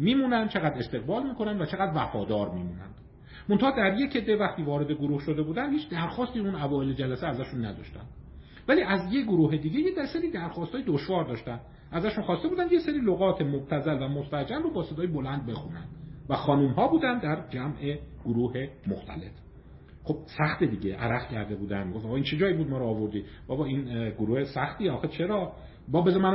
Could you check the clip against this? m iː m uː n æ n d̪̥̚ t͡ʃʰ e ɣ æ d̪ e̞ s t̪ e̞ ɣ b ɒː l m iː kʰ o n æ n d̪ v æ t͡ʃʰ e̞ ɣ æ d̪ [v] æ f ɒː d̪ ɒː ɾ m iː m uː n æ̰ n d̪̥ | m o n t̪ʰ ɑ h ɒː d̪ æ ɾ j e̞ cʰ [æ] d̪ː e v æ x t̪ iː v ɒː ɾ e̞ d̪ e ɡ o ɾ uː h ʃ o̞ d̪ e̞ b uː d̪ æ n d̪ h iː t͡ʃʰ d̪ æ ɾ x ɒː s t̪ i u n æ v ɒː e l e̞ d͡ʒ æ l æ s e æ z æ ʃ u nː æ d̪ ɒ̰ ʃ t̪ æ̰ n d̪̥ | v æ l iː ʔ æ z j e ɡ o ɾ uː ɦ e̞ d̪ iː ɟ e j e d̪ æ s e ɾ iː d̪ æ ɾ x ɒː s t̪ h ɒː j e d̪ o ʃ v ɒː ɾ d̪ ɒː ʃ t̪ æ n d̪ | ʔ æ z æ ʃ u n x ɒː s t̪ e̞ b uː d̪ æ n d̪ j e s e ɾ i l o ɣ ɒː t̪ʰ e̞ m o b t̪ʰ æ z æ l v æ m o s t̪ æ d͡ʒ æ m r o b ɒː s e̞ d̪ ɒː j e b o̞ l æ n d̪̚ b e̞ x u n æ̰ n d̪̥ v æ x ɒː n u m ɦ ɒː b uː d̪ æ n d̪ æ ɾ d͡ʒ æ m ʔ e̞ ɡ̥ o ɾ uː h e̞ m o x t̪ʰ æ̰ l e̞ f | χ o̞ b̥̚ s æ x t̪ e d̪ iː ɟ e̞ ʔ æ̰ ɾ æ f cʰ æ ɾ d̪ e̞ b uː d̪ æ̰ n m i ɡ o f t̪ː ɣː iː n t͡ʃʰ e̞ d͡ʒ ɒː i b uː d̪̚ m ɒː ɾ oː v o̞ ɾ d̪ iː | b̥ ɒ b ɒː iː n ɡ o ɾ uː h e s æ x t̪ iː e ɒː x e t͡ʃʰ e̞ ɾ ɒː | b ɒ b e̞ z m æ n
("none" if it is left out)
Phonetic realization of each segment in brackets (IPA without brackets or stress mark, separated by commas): v, e